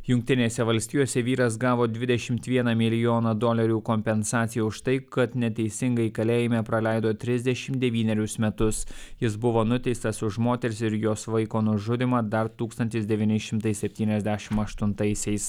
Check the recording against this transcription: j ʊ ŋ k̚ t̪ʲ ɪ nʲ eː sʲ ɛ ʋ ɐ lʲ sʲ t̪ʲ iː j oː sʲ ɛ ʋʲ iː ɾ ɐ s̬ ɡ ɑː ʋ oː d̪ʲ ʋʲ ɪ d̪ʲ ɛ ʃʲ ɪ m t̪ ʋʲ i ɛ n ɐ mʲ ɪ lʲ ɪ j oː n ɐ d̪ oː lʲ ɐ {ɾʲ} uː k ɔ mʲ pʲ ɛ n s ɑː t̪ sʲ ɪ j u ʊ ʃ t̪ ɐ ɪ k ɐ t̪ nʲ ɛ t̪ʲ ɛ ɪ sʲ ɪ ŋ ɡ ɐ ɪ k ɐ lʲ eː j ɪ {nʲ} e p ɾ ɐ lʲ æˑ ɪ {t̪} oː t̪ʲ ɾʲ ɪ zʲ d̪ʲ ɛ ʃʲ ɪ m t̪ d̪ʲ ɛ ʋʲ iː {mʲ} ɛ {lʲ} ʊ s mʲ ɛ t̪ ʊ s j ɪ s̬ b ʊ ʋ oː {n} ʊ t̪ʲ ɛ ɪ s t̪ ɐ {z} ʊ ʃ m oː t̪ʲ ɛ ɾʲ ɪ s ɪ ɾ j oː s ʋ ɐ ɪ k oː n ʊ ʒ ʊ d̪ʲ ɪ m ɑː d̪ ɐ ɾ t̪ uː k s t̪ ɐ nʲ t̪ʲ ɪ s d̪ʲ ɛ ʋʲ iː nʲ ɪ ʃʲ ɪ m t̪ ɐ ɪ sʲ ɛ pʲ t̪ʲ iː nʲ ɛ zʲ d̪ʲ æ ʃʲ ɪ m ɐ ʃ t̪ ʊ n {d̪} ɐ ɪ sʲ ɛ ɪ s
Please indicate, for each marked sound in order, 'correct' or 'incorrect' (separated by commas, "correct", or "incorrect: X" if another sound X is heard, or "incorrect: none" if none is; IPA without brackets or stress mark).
correct, incorrect: mʲ, incorrect: d̪, incorrect: nʲ, incorrect: ɾʲ, correct, incorrect: s, incorrect: t̪